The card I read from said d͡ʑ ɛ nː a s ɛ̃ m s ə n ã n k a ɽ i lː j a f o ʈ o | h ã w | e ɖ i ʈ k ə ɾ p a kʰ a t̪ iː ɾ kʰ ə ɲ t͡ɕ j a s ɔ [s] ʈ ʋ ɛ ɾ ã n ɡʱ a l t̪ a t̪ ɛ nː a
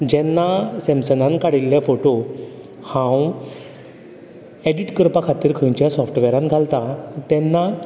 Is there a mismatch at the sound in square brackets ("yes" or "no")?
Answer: yes